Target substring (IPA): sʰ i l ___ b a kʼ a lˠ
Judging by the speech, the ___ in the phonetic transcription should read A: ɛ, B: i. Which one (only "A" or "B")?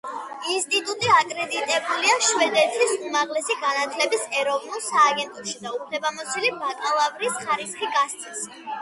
B